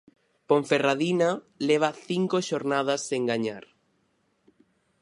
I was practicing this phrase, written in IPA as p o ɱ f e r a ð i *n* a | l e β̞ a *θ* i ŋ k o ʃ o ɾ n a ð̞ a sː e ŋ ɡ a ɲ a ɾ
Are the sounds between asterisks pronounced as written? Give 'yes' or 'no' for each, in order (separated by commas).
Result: yes, yes